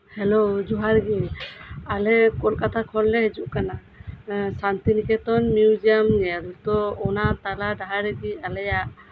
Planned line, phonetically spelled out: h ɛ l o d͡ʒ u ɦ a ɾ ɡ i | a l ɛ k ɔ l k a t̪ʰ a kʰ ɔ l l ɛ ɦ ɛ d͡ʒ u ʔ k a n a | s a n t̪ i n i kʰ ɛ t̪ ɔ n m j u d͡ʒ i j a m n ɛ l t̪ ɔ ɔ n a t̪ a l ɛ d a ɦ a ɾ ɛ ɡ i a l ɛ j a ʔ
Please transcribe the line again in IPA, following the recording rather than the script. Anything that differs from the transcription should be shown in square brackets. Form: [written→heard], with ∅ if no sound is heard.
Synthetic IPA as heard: h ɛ l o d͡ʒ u ɦ a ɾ ɡ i | a l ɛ k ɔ l k a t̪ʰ a kʰ ɔ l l ɛ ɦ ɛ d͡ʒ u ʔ k a n a | s a n t̪ i n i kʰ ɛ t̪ ɔ n m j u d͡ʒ i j a m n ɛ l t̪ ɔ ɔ n a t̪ a l [ɛ→a] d a ɦ a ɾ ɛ ɡ i a l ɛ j a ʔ